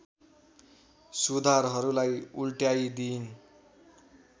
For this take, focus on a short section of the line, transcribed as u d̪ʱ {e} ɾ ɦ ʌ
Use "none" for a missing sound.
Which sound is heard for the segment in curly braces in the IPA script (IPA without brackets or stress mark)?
a